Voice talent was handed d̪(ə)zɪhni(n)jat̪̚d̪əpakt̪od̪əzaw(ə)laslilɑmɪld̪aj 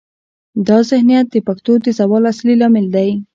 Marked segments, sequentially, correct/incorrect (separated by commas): incorrect, incorrect, incorrect